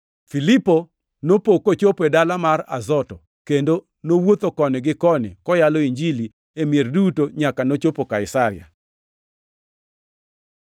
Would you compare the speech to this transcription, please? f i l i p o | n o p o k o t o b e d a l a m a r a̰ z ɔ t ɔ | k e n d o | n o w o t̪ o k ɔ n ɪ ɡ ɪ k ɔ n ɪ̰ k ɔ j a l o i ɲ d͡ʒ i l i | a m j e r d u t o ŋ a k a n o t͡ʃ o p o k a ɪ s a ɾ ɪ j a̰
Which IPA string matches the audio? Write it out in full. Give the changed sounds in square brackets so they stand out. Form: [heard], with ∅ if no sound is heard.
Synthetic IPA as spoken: f i l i p o | n o p o k o [t͡ʃ] o [p] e d a l a m a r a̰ z ɔ t ɔ | k e n d o | n o w o t̪ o k ɔ n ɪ ɡ ɪ k ɔ n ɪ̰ k ɔ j a l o i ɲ d͡ʒ i l i | [e] m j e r d u t o [ɲ] a k a n o t͡ʃ o p o k a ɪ s a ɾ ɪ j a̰